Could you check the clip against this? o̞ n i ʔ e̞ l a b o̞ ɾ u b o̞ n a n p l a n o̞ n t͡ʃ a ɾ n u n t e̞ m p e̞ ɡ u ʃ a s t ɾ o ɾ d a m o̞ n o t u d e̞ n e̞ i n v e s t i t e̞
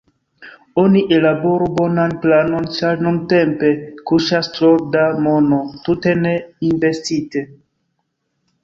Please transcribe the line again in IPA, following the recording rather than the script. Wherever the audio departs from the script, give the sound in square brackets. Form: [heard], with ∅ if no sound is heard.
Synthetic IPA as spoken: o̞ n i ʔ e̞ l a b o̞ ɾ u b o̞ n a n p l a n o̞ n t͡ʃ a ɾ n u n t e̞ m p e̞ [k] u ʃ a s t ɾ o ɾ d a m o̞ n o t u [t] e̞ n e̞ i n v e s t i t e̞